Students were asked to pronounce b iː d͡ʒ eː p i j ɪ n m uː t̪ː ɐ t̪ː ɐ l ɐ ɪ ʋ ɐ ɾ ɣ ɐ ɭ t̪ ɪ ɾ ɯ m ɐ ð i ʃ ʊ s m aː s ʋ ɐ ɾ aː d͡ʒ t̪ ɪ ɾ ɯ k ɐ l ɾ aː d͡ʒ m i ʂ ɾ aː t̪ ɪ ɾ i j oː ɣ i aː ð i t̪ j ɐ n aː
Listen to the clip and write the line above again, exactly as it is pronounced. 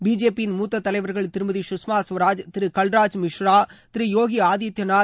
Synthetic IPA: b iː d͡ʒ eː p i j ɪ n m uː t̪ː ɐ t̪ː ɐ l ɐ ɪ ʋ ɐ ɾ ɣ ɐ ɭ t̪ ɪ ɾ ɯ m ɐ ð i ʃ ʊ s m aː s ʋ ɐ ɾ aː d͡ʒ t̪ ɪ ɾ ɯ k ɐ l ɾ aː d͡ʒ m ɪ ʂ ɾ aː t̪ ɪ ɾ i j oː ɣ i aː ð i t̪ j ɐ n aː